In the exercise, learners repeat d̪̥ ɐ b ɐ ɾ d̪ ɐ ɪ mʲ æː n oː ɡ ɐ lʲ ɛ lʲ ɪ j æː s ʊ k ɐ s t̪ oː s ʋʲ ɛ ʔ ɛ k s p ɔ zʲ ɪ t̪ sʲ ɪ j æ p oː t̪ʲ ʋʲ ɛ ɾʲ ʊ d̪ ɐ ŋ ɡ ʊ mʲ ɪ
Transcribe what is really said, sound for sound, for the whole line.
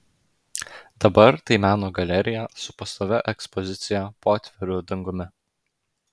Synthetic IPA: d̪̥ ɐ b ɐ ɾ t̪ ɐ ɪ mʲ æː n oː ɡ ɐ lʲ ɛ ɾʲ ɪ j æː s ʊ p ɐ s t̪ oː ʋʲ ɛ ʔ ɛ k s p ɔ zʲ ɪ t̪ sʲ ɪ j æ p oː t̪ʲ ʋʲ ɛ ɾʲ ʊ d̪ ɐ ŋ ɡ ʊ mʲ ɪ